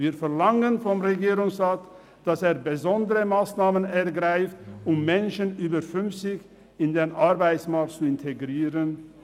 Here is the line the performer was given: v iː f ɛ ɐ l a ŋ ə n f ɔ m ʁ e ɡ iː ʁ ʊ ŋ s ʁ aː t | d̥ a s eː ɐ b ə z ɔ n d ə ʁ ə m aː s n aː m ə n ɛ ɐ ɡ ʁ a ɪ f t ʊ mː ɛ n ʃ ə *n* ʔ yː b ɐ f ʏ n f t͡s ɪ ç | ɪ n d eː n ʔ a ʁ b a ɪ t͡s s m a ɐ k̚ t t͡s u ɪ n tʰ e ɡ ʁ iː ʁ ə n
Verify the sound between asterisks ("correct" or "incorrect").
correct